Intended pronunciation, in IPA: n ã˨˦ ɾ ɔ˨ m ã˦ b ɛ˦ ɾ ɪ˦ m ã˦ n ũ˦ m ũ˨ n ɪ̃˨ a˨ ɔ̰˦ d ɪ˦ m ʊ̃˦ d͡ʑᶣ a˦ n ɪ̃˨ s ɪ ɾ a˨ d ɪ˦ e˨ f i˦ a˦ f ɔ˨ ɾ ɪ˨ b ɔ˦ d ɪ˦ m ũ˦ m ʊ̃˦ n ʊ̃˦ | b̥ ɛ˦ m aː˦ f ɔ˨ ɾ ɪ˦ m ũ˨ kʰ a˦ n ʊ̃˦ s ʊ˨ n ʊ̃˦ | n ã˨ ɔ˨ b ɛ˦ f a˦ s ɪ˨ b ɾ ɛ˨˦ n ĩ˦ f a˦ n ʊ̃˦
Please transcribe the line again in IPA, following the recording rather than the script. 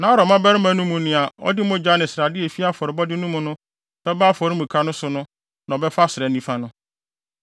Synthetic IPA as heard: n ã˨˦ ɾ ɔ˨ m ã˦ b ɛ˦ ɾ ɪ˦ m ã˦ n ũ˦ m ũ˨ n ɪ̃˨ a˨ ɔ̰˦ d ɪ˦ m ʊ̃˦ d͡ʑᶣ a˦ n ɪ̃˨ s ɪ ɾ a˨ d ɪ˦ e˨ f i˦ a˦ f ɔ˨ ɾ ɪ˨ b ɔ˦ d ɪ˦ n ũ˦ m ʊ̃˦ n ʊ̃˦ | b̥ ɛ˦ b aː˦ f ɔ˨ ɾ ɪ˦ m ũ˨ kʰ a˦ n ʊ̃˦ s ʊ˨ n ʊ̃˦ | n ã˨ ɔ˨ b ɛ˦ f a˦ s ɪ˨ ɾ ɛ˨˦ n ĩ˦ f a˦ n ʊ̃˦

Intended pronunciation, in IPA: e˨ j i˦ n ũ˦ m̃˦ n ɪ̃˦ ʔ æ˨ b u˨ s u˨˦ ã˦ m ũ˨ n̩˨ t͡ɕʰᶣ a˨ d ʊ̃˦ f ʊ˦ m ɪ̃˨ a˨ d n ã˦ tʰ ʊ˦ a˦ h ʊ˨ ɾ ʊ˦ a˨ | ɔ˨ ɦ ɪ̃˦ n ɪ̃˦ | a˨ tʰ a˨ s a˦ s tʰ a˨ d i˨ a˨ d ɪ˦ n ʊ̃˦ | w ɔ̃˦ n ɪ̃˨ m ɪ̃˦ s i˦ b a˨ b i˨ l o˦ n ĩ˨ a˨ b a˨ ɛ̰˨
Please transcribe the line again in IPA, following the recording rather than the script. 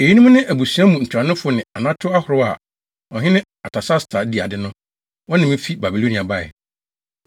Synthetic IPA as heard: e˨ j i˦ n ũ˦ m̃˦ n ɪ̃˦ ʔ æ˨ b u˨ s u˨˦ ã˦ m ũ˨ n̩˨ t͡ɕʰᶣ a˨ n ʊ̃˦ f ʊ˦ n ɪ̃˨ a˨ n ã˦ tʰ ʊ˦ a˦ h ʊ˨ ɾ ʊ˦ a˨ | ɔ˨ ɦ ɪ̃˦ n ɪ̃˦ | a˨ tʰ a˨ s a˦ s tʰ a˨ d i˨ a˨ d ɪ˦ n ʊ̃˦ | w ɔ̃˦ n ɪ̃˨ m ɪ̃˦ f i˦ b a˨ b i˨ l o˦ n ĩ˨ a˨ b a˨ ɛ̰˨

